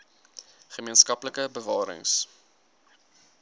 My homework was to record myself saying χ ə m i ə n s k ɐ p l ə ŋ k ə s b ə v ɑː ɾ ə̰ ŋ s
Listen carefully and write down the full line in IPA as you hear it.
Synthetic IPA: χ ə m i ə n s k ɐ p l ə k ə b ə v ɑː ɾ ə̰ ŋ s